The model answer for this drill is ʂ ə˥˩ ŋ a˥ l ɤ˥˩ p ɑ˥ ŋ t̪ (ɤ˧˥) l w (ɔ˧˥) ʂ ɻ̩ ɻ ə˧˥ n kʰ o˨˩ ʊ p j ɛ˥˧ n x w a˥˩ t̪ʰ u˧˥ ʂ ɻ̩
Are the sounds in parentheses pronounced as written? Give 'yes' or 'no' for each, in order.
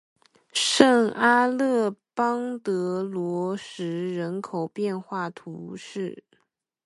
yes, yes

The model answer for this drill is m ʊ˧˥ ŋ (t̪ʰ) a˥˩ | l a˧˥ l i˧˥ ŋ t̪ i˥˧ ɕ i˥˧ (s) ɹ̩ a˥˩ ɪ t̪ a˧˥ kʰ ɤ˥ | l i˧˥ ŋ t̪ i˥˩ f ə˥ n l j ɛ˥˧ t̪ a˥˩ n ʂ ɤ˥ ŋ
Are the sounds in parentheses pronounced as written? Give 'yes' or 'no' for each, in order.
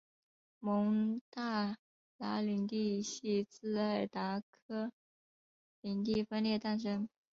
no, no

